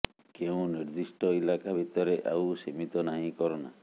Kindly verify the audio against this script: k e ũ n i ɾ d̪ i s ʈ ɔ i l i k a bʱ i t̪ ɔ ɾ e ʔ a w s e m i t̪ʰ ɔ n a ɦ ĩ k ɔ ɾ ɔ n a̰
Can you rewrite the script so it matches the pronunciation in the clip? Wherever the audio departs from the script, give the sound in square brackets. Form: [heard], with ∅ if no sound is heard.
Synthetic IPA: k e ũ n i ɾ d̪ i s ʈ ɔ i l [a] k a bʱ i t̪ ɔ ɾ e ʔ a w s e m i [t̪] ɔ n a ɦ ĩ k ɔ ɾ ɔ n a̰

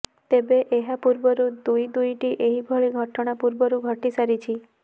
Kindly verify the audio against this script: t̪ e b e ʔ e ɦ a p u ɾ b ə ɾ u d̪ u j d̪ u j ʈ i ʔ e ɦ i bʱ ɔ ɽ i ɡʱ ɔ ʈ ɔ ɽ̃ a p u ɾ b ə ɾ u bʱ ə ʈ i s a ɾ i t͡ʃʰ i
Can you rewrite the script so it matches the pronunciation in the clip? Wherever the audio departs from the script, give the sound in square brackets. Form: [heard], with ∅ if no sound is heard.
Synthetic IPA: t̪ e b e ʔ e ɦ a p u ɾ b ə ɾ u d̪ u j d̪ u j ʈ i ʔ e ɦ i bʱ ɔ [ɭ] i ɡʱ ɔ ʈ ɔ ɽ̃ a p u ɾ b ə ɾ u [ɡʱ] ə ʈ i s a ɾ i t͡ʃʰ i

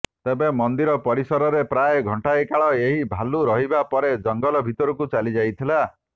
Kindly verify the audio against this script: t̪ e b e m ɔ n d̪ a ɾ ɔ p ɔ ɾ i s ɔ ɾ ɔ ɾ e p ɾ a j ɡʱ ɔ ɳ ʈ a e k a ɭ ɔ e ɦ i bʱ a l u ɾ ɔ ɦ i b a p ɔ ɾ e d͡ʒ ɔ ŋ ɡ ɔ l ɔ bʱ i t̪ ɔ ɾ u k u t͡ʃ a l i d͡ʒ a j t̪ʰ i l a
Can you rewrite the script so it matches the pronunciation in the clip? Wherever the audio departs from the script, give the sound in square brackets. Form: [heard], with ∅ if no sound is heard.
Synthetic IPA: t̪ e b e m ɔ n d̪ [i] ɾ ɔ p ɔ ɾ i s ɔ ɾ ɔ ɾ e p ɾ a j ɡʱ ɔ ɳ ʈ a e k a ɭ ɔ e ɦ i bʱ a l u ɾ ɔ ɦ i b a p ɔ ɾ e d͡ʒ ɔ ŋ ɡ ɔ l ɔ bʱ i t̪ ɔ ɾ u k u t͡ʃ a l i d͡ʒ a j t̪ʰ i l a

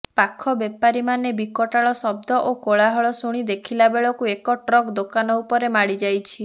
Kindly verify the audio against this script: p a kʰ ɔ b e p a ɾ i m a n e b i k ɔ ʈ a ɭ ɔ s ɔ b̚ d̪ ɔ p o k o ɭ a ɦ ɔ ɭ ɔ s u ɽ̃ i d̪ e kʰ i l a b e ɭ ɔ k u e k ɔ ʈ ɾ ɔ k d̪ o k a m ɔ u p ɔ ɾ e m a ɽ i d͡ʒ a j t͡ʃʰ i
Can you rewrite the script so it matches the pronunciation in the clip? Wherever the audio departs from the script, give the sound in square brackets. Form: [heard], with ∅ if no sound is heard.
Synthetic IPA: p a kʰ ɔ b e p a ɾ i m a n e b i k ɔ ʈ a ɭ ɔ s ɔ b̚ d̪ ɔ [ʔ] o k o ɭ a ɦ ɔ ɭ ɔ s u ɽ̃ i d̪ e kʰ i l a b e ɭ ɔ k u e k ɔ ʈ ɾ ɔ k d̪ o k a [n] ɔ u p ɔ ɾ e m a ɽ i d͡ʒ a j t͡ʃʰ i

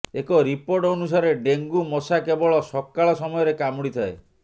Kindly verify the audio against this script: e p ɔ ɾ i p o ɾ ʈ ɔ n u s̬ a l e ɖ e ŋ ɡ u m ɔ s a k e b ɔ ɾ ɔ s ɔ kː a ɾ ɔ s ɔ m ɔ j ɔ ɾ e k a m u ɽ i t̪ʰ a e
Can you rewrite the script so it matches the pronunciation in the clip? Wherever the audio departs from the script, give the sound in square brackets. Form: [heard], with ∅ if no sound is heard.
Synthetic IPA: e [k] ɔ ɾ i p o ɾ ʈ ɔ n u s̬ a [ɾ] e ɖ e ŋ ɡ u m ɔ s a k e b ɔ [ɭ] ɔ s ɔ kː a [ɭ] ɔ s ɔ m ɔ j ɔ ɾ e k a m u ɽ i t̪ʰ a e

